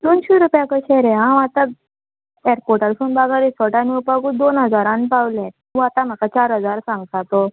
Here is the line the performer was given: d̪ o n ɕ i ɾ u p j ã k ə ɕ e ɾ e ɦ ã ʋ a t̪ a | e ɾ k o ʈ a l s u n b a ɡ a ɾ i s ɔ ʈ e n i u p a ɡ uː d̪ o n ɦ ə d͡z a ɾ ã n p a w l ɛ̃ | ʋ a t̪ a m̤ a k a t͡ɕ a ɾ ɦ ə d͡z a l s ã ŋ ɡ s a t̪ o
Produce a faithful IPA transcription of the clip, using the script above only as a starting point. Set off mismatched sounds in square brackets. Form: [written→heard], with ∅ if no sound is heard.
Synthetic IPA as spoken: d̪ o n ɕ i ɾ u p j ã k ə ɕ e ɾ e ɦ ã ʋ a t̪ a | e ɾ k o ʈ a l s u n b a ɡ a ɾ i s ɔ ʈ [e→a] n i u p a ɡ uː d̪ o n ɦ ə d͡z a ɾ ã n p a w l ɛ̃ | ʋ a t̪ a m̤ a k a t͡ɕ a ɾ ɦ ə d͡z a [l→ɾ] s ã ŋ ɡ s a t̪ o